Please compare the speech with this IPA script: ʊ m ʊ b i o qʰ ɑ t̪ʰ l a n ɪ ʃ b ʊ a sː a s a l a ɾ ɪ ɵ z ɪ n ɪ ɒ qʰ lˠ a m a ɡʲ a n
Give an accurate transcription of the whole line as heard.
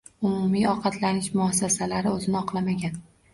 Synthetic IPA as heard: ʊ m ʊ m i ɒ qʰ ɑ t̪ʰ l a n ɪ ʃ m ʊ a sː a s a l a ɾ ɪ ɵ z ɪ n ɪ ɒ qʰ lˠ a m a ɡʲ a n